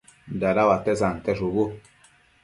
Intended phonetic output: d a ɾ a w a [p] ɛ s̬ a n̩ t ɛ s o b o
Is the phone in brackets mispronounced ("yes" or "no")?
yes